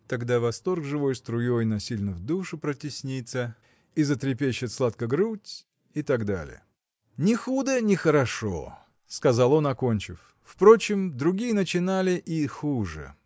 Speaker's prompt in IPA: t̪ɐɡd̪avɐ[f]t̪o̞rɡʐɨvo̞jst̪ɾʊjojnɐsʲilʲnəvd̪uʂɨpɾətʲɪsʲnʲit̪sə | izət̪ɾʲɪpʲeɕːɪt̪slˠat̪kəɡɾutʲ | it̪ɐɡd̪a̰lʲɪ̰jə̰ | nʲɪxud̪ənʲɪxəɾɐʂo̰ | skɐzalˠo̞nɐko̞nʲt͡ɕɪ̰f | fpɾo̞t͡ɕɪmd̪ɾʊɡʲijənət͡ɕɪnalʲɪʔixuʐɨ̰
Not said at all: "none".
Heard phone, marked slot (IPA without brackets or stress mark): s